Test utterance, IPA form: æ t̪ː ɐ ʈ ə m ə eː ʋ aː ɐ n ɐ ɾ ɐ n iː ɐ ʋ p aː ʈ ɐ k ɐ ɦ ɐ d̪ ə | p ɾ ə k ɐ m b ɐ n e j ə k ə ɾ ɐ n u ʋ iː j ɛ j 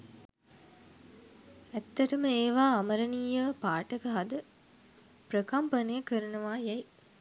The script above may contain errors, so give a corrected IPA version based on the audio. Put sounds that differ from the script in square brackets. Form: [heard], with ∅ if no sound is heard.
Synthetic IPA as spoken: æ t̪ː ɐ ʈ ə m ə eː ʋ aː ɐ [m] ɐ ɾ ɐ n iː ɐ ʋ p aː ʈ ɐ k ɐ ɦ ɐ d̪ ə | p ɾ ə k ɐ m [p] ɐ n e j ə k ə ɾ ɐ n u ʋ [aː] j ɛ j